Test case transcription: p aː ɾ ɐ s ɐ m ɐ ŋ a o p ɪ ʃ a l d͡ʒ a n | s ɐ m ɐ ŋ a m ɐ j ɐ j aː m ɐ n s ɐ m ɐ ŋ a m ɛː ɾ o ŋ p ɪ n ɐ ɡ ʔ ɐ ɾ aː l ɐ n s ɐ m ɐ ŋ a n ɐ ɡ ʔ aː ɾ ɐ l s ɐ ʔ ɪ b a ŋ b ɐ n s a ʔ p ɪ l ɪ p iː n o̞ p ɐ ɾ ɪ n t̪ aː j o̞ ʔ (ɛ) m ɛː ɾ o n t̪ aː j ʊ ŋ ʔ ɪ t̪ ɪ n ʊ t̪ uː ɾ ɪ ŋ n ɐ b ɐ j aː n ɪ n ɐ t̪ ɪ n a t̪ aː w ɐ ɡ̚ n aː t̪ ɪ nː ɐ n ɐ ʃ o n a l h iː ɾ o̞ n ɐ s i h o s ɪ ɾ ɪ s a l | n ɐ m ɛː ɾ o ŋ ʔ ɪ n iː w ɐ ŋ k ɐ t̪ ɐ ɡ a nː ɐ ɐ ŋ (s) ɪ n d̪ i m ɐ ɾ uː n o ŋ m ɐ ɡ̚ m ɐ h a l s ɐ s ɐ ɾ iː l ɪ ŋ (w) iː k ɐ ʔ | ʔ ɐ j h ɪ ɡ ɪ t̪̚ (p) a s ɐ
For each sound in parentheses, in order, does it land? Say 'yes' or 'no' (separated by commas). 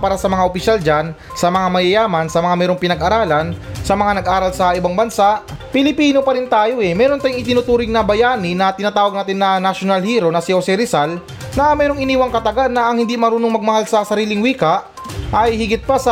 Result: yes, no, yes, yes